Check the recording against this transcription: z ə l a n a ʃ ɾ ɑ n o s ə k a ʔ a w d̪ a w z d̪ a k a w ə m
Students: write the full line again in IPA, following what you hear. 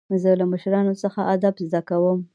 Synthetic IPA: z ə l a m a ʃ ɾ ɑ n o s ə x a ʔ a d̪ a b z d̪ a k a w ə m